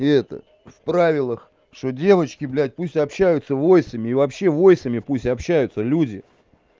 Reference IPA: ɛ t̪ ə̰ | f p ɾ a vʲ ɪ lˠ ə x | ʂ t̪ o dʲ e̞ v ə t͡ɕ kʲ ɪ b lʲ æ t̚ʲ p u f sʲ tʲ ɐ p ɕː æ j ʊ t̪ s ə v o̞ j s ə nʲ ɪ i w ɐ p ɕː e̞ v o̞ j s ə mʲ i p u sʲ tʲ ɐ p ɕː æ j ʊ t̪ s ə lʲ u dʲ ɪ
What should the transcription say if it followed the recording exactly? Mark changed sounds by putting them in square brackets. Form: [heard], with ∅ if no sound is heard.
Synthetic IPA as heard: ɛ t̪ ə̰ | f p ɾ a vʲ ɪ lˠ ə x | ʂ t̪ o dʲ e̞ v ə t͡ɕ kʲ ɪ b lʲ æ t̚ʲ p u [∅] sʲ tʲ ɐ p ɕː æ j ʊ t̪ s ə v o̞ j s ə [mʲ] ɪ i [v] ɐ p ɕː e̞ v o̞ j s ə mʲ [ɪ] p u sʲ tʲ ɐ p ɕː æ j ʊ t̪ s ə lʲ u dʲ ɪ

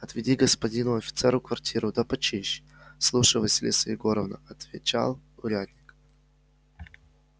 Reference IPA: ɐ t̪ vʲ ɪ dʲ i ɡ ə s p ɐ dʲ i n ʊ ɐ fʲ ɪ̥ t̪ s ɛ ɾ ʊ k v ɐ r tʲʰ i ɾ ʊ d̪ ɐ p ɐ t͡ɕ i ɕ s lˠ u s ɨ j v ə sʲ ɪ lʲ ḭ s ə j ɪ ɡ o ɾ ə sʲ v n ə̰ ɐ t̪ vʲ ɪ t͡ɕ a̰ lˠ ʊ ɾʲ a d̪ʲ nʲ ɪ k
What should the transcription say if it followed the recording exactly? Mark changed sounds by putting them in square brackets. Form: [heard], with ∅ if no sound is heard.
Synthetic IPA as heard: ɐ t̪ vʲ ɪ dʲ i ɡ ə s p ɐ dʲ i n ʊ ɐ fʲ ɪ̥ t̪ s ɛ ɾ ʊ k v ɐ r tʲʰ i ɾ ʊ d̪ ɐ p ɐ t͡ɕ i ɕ s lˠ u [ʂ] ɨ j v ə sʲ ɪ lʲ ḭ s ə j ɪ ɡ o ɾ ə [∅] v n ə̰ ɐ t̪ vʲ ɪ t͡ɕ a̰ lˠ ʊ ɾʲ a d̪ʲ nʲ ɪ k

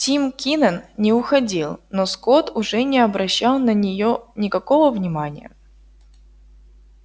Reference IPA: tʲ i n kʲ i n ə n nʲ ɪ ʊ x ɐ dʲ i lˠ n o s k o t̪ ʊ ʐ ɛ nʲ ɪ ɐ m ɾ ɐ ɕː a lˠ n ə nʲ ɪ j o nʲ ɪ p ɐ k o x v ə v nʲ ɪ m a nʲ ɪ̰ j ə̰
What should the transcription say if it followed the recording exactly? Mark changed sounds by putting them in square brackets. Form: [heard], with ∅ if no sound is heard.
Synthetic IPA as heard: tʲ i [m] kʲ i n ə n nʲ ɪ ʊ x ɐ dʲ i lˠ n o s k o t̪ ʊ ʐ ɛ nʲ ɪ ɐ [b] ɾ ɐ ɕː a lˠ n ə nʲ ɪ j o nʲ ɪ [k] ɐ k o [∅] v ə v nʲ ɪ m a nʲ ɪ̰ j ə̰

